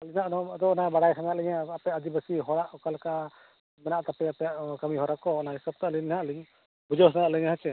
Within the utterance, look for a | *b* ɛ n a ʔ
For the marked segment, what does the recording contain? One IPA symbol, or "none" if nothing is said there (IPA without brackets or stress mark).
m